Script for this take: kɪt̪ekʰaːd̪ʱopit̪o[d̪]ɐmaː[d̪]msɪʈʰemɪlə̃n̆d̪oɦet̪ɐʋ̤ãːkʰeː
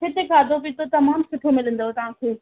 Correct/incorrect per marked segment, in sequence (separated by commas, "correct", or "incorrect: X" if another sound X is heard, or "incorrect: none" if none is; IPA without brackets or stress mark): incorrect: t̪, incorrect: none